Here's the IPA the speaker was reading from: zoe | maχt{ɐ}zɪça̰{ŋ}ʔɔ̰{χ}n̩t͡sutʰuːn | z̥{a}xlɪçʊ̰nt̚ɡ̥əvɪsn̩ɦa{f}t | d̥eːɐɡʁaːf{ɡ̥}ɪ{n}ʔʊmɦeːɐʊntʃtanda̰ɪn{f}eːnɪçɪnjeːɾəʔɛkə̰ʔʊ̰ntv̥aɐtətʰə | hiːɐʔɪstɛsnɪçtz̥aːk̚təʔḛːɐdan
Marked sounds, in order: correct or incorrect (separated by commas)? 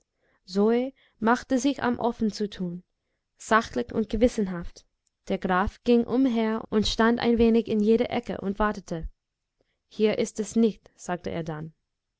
incorrect, incorrect, incorrect, correct, correct, correct, incorrect, incorrect